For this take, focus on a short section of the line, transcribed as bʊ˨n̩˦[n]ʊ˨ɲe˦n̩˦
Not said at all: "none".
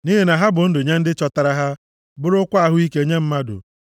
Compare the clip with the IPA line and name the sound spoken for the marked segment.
d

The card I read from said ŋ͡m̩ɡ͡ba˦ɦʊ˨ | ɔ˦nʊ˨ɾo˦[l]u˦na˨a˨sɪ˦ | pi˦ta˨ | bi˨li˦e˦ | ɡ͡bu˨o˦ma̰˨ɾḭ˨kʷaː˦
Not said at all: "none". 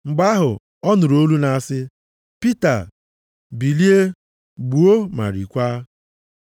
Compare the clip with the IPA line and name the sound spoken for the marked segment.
l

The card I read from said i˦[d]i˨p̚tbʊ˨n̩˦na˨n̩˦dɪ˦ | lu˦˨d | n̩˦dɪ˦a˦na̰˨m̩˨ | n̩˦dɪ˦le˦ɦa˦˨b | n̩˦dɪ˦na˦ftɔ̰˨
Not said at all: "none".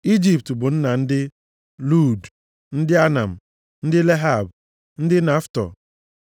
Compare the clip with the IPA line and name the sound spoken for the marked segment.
d͡ʒ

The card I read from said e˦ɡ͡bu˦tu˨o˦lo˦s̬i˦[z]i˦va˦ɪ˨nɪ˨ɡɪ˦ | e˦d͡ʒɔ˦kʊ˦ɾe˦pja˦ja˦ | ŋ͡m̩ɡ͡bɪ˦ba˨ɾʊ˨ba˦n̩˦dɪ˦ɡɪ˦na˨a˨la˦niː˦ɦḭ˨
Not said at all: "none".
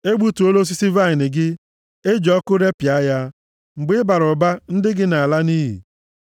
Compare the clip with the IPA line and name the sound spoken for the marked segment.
s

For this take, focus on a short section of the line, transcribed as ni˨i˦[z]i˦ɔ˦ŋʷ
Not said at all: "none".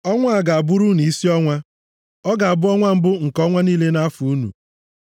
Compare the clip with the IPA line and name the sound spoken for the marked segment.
s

